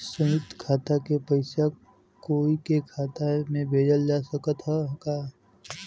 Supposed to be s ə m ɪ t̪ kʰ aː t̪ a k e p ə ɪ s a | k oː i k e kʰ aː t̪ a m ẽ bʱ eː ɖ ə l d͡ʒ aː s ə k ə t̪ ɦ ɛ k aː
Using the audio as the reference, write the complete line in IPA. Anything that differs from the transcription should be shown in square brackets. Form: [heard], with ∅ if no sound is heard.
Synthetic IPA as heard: s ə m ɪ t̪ kʰ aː t̪ a k e p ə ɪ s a | k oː i k e kʰ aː t̪ a m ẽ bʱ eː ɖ ə l d͡ʒ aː s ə k ə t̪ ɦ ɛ k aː